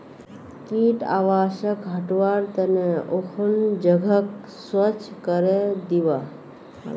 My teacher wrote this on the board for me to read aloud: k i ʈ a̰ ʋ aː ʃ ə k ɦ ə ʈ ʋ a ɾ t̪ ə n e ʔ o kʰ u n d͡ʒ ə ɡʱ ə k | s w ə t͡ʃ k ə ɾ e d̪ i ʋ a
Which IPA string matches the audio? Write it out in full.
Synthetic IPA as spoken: k i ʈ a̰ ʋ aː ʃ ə k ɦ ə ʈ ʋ a ɾ t̪ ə n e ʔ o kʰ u n d͡ʒ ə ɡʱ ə k | s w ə t͡ʃ k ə ɾ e d̪ i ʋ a